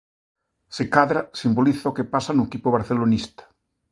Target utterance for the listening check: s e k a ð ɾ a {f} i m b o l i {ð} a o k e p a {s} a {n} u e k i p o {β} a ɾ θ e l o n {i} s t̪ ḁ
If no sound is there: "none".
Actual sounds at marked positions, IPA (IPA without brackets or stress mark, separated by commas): s, θ, s, n, β, i